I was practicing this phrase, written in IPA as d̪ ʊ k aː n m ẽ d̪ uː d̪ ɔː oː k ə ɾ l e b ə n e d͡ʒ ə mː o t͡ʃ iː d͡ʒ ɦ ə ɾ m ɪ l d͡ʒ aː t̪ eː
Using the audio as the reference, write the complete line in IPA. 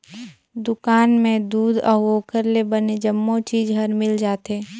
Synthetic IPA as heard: d̪ ʊ k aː n m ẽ d̪ uː d̪ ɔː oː k ə ɾ l e b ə n e d͡ʒ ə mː o t͡ʃ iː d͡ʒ ɦ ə ɾ m ɪ l d͡ʒ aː t̪ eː